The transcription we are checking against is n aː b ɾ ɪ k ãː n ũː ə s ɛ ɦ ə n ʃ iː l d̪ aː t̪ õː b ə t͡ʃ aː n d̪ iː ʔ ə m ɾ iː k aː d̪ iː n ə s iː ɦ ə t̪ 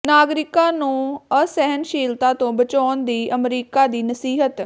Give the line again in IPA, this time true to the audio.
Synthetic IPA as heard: n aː ɡ ɾ ɪ k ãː n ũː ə s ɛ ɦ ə n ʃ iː l t̪ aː t̪ õː b ə t͡ʃ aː n d̪ iː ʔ ə m ɾ iː k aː d̪ iː n ə s iː ɦ ə t̪